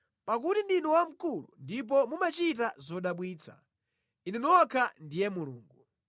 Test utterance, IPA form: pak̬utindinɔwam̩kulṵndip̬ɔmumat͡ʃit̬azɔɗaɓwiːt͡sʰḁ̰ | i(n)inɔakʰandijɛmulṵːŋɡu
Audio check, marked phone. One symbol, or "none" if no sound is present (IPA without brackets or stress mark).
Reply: n